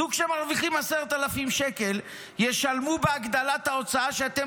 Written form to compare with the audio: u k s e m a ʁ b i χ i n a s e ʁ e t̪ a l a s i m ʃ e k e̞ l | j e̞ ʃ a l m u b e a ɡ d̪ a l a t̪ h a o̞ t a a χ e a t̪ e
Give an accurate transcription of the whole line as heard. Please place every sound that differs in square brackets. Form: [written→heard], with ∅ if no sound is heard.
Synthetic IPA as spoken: u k [s→ʃ] e m a ʁ [b→v] i χ i [n→m] a s e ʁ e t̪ a l a [s→f] i m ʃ e k e̞ l | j e̞ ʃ a l m u b e a ɡ d̪ a l a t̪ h a o̞ [t→t͡s] a a [χ→ʃ] e a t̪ e